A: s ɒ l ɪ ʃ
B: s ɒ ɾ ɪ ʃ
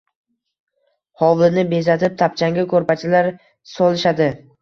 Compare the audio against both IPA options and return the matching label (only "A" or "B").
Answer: A